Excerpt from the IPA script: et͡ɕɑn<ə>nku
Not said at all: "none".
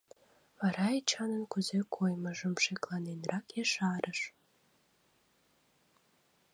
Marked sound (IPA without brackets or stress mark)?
ə